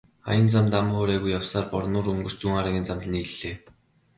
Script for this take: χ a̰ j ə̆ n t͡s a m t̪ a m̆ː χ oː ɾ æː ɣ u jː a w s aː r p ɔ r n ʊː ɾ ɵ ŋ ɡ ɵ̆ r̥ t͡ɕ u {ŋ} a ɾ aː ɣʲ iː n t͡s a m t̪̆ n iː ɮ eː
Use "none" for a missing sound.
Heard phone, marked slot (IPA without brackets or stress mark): ŋ